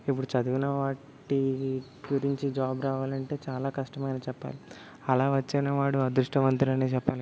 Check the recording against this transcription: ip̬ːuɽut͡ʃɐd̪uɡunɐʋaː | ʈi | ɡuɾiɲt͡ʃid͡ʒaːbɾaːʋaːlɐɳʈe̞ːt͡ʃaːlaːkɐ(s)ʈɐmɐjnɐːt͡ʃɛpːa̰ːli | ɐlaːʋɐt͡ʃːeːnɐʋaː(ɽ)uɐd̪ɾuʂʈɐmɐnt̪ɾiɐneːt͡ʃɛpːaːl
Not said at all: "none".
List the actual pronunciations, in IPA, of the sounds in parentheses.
ʂ, ɽ

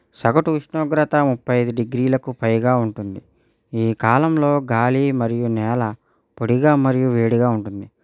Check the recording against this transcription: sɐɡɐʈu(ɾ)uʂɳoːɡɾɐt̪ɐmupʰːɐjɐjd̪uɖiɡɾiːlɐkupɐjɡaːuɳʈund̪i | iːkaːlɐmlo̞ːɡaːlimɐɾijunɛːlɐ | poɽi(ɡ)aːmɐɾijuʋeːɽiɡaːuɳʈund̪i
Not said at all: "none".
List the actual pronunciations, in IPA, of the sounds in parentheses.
none, ɡ

